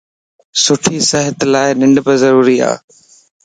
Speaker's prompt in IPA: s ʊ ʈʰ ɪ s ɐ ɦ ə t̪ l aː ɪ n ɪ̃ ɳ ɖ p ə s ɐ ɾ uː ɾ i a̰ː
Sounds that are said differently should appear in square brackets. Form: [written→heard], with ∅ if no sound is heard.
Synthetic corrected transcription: s ʊ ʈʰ [ɪ→i] s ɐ ɦ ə t̪ l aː ɪ n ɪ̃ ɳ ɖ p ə [s→z] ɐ ɾ uː ɾ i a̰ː